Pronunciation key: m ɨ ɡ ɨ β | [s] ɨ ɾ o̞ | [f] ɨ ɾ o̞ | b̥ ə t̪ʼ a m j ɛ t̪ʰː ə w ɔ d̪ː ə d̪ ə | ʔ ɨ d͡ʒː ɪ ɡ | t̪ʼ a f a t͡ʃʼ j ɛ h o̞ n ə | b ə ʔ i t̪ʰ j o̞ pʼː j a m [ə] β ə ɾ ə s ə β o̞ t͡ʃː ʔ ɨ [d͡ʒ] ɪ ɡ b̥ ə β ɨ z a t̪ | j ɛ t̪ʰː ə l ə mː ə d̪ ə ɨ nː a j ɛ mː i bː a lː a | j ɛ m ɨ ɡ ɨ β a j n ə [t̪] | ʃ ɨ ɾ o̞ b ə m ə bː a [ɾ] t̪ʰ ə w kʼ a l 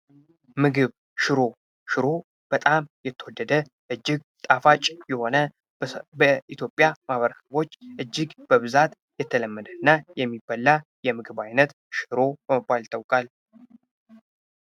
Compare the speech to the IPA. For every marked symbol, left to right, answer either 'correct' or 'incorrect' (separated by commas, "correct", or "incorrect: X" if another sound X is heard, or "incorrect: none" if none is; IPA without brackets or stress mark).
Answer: incorrect: ʃ, incorrect: ʃ, incorrect: a, incorrect: d͡ʒː, correct, incorrect: l